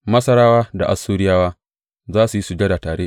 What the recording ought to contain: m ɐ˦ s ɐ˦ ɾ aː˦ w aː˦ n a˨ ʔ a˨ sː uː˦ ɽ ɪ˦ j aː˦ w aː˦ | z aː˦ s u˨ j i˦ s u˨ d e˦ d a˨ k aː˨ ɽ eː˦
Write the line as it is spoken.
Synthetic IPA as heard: m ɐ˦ s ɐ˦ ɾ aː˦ w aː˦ d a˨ ʔ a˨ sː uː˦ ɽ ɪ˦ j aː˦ w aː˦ | z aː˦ s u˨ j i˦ s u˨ d͡ʒ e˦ d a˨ t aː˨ ɽ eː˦